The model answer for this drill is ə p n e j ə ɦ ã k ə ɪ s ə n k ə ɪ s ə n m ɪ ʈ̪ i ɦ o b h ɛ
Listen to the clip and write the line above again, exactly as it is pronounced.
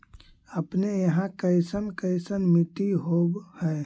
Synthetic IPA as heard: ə p n e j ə ɦ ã k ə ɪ s ə n k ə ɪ s ə n m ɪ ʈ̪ i ɦ o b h ɛ

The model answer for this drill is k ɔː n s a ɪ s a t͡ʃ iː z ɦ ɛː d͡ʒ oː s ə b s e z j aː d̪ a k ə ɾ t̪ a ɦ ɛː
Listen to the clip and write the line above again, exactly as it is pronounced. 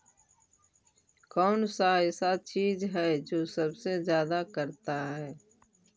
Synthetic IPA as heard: k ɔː n s a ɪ s a t͡ʃ iː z ɦ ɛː d͡ʒ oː s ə b s e z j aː d̪ a k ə ɾ t̪ a ɦ ɛː

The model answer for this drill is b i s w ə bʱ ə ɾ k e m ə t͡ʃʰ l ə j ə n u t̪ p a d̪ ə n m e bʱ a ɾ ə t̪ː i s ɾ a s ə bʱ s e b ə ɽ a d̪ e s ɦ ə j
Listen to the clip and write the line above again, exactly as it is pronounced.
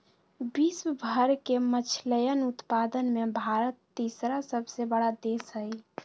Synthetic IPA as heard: b i s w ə bʱ ə ɾ k e m ə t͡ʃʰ l ə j ə n u t̪ p a d̪ ə n m e bʱ a ɾ ə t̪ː i s ɾ a s ə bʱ s e b ə ɽ a d̪ e s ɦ ə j

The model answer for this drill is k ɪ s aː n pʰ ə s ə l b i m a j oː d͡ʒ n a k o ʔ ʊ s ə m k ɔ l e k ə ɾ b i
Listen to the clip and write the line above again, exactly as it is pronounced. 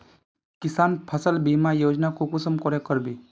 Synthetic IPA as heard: k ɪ s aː n pʰ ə s ə l b i m a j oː d͡ʒ n a k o k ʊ s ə m k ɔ ɾ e k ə ɾ b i

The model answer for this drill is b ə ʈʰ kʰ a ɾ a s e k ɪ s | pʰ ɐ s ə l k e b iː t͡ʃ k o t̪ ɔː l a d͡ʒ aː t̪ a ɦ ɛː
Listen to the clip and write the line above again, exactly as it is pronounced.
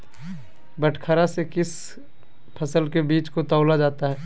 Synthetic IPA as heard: b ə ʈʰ kʰ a ɾ a s e k ɪ s | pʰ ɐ s ə l k e b iː t͡ʃ k o t̪ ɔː l a d͡ʒ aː t̪ a ɦ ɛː

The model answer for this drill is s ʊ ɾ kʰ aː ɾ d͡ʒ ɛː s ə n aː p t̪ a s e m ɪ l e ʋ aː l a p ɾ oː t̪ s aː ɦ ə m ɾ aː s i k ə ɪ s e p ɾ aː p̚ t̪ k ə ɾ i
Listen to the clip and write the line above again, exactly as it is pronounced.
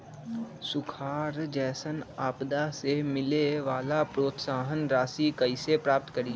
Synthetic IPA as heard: s ʊ kʰ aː ɾ d͡ʒ ɛː s ə n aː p d̪ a s e m ɪ l e ʋ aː l a p ɾ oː t̪ s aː ɦ ə n ɾ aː s i k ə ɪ s e p ɾ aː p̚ t̪ k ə ɾ i

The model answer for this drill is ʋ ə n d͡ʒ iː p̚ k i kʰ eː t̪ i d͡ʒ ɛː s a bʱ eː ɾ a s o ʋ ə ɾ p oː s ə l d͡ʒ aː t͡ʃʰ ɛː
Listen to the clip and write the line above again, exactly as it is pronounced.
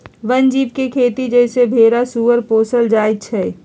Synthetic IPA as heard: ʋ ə n d͡ʒ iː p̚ k e kʰ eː t̪ i d͡ʒ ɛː s e bʱ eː ɾ a s u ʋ ə ɾ p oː s ə l d͡ʒ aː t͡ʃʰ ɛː

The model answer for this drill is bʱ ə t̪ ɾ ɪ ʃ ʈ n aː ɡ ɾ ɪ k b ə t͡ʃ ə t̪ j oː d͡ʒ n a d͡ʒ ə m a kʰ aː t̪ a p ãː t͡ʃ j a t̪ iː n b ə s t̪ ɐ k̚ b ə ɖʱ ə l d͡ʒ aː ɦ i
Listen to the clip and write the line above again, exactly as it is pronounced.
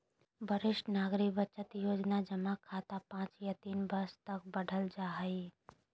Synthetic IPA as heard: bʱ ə ɾ ɪ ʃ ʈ n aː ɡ ɾ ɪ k b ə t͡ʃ ə t̪ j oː d͡ʒ n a d͡ʒ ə m a kʰ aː t̪ a p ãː t͡ʃ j a t̪ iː n b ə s t̪ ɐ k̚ b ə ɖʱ ə l d͡ʒ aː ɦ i

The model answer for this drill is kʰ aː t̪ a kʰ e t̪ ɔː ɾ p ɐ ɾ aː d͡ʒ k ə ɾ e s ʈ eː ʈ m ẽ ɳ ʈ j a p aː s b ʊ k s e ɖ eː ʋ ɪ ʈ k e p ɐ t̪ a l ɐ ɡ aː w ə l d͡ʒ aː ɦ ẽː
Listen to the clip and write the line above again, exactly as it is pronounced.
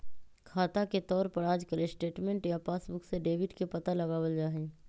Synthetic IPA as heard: kʰ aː t̪ a k e t̪ ɔː ɾ p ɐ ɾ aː d͡ʒ k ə ɾ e s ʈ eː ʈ m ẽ ɳ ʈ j a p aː s b ʊ k s e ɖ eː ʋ ɪ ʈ k e p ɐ t̪ a l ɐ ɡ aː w ə l d͡ʒ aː ɦ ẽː

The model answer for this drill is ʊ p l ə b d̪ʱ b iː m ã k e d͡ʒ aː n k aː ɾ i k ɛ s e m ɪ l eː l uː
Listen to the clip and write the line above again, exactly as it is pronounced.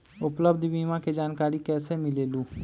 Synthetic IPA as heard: ʊ p l ə b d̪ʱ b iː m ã k e d͡ʒ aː n k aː ɾ i k ɛː s e m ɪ l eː l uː

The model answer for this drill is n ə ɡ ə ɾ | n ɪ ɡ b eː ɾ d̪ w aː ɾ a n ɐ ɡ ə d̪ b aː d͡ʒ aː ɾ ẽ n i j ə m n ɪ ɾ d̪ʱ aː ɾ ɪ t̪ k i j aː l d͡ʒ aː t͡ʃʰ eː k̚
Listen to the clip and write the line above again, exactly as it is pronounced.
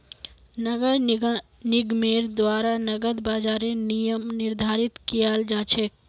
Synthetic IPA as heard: n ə ɡ ə ɾ | n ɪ ɡ m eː ɾ d̪ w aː ɾ a n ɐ ɡ ə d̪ b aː d͡ʒ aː ɾ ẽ n i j ə m n ɪ ɾ d̪ʱ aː ɾ ɪ t̪ k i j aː l d͡ʒ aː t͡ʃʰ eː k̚

